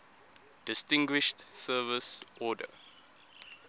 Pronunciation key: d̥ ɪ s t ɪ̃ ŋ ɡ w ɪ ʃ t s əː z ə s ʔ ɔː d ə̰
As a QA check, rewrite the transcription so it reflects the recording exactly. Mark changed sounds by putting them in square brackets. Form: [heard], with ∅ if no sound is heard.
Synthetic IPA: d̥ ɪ s t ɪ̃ ŋ ɡ w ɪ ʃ t s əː [v] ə s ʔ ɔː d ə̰